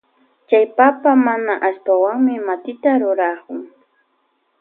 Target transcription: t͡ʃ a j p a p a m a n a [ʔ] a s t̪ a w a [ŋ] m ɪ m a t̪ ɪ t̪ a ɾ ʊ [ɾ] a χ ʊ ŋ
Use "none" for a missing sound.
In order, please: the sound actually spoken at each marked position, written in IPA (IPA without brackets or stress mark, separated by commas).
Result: ʔ, ŋ, ɾ